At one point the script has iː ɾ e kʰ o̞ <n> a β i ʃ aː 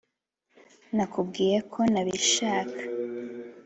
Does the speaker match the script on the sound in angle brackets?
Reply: yes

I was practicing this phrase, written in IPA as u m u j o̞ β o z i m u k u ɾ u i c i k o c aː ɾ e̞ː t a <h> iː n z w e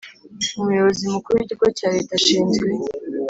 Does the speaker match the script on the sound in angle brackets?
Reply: no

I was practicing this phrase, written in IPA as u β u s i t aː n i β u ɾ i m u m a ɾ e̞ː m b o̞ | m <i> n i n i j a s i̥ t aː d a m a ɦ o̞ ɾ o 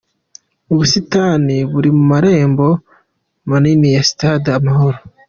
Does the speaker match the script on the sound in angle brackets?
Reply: no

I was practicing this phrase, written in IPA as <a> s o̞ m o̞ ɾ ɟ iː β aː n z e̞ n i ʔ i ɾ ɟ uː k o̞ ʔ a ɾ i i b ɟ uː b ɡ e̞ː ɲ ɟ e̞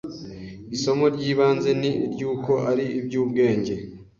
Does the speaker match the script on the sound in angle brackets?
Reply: no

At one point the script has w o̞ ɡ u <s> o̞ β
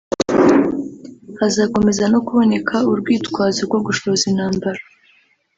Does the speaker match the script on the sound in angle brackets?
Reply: no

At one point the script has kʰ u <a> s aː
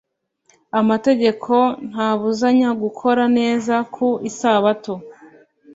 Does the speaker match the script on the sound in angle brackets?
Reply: no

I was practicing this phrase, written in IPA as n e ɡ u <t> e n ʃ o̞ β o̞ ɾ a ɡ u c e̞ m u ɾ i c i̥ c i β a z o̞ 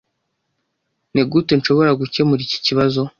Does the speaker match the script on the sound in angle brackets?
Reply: yes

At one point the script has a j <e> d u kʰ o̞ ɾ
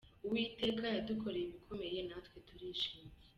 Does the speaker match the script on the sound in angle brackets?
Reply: no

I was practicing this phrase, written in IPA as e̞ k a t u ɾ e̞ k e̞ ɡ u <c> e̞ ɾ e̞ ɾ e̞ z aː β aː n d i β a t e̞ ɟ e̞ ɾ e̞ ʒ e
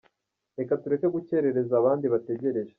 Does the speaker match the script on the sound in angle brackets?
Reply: yes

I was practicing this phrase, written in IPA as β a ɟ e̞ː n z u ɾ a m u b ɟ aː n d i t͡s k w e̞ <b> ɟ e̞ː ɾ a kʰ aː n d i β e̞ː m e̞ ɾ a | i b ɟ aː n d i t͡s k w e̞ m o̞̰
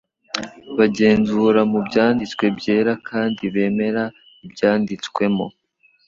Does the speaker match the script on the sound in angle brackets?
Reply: yes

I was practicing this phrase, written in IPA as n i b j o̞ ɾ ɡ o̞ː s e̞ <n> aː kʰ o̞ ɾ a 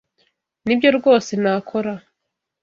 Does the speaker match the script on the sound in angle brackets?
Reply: yes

